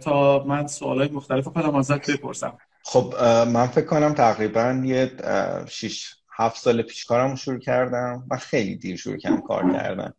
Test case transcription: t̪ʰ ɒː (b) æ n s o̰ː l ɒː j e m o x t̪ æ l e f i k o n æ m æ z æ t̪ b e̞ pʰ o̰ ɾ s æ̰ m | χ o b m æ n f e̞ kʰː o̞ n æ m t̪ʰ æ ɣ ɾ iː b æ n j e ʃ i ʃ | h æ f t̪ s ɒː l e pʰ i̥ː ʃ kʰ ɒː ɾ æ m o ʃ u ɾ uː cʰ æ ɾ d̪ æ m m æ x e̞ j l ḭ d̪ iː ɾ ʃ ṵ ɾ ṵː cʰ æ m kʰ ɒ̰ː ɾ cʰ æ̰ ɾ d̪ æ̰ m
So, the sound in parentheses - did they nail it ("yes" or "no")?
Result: no